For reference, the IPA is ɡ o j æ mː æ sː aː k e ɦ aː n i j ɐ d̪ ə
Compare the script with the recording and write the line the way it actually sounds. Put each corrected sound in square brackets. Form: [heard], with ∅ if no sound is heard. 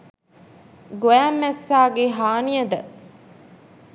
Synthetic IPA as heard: ɡ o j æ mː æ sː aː [ɡ] e ɦ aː n i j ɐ d̪ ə